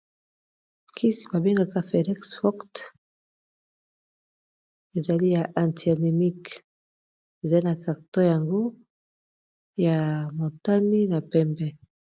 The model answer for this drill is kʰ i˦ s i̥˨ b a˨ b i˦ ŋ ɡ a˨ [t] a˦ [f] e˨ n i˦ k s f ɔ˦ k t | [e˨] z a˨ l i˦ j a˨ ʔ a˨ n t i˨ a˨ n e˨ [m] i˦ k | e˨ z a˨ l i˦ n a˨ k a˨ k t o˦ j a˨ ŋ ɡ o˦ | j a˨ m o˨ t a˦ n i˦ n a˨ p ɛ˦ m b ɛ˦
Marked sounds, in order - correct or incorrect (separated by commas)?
incorrect, correct, correct, correct